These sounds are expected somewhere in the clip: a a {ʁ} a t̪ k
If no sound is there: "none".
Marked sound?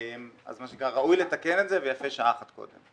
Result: χ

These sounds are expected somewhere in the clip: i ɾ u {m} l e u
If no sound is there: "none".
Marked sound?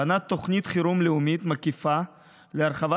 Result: m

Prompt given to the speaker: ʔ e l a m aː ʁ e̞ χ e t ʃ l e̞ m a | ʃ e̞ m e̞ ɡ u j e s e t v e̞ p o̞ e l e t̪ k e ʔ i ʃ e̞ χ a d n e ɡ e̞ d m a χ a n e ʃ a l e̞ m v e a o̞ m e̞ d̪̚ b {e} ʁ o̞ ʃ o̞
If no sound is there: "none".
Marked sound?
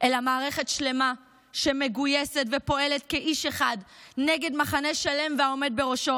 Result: e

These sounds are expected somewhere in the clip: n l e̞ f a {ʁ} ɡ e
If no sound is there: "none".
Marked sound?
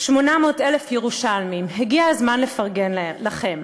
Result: ʁ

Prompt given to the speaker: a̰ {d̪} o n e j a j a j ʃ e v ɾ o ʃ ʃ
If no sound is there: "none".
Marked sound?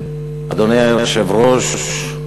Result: d̪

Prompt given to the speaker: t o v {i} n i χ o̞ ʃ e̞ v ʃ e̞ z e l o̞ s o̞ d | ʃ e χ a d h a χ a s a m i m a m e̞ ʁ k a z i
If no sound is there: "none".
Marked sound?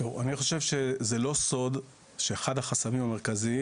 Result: a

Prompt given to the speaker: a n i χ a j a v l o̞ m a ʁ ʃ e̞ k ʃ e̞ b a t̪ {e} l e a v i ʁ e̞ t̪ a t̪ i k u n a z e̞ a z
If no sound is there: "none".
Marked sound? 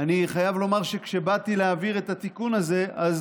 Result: i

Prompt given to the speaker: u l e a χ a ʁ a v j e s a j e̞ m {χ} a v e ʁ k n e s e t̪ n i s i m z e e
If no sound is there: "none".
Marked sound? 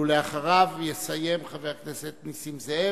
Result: χ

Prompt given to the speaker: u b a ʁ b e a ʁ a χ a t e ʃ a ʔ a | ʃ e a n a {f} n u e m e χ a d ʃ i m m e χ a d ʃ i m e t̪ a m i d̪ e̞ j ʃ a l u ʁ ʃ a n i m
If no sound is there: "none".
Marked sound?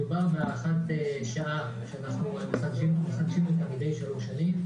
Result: χ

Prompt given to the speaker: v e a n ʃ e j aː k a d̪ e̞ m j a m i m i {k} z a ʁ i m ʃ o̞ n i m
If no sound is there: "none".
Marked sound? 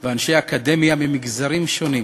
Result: ɡ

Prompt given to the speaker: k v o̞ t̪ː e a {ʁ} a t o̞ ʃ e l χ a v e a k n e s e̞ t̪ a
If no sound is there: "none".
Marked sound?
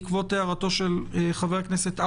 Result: ʁ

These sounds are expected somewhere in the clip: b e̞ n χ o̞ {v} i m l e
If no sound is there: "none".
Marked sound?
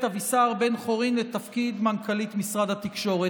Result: ʁ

